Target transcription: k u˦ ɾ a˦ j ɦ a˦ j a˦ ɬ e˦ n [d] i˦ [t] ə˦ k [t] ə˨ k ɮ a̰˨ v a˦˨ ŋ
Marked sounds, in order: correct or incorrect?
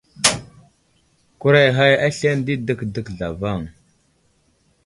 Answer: correct, incorrect: d, incorrect: d

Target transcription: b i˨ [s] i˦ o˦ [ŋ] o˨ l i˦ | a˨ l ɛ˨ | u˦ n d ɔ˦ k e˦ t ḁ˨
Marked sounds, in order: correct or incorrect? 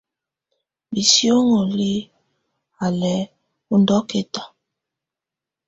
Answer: correct, correct

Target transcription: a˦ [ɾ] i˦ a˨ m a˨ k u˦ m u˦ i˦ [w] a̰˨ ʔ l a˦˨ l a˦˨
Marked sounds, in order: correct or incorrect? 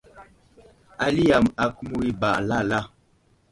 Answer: incorrect: l, incorrect: b

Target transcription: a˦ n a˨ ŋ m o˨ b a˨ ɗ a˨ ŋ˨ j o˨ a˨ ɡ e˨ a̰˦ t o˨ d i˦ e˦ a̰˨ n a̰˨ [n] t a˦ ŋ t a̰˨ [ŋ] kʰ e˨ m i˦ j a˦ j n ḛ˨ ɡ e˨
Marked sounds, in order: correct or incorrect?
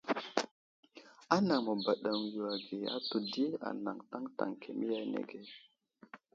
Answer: incorrect: ŋ, correct

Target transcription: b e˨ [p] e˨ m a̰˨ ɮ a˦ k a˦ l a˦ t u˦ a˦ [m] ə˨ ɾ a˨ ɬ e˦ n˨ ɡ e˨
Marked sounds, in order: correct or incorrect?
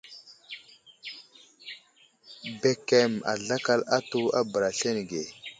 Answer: incorrect: k, incorrect: b

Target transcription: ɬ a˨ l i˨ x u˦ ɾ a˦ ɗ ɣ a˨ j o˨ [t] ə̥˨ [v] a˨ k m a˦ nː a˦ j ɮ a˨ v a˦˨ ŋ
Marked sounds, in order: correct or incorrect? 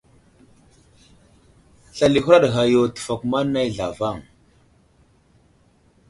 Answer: correct, incorrect: f

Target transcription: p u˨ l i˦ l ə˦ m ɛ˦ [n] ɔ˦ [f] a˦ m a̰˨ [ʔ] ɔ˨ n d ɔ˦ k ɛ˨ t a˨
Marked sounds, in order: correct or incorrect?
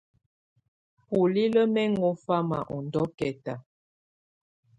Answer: incorrect: ŋ, correct, correct

